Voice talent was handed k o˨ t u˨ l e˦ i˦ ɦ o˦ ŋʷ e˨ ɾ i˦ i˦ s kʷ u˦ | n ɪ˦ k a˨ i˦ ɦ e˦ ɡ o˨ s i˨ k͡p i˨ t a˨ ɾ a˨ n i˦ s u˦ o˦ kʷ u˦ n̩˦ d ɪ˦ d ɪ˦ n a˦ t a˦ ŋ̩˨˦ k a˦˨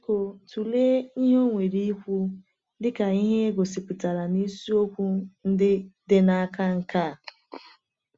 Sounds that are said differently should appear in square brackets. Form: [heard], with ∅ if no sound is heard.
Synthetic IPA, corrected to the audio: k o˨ t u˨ l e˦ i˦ ɦ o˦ ŋʷ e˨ ɾ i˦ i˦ [∅] kʷ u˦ | [d] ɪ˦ k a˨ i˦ ɦ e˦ ɡ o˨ s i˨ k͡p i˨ t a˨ ɾ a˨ n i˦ s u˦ o˦ kʷ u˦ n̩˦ d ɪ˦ d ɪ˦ n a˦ [k] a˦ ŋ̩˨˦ k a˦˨